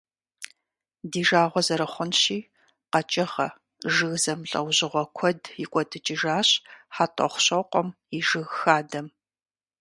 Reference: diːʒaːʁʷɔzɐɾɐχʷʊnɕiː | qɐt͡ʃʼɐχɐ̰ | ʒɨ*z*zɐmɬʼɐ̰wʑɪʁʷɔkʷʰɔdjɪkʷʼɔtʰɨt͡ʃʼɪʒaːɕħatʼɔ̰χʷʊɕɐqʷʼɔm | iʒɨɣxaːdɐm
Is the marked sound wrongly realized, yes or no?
yes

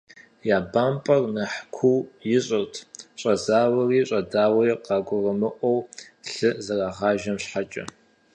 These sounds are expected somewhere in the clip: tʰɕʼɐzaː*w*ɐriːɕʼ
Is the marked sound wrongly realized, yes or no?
no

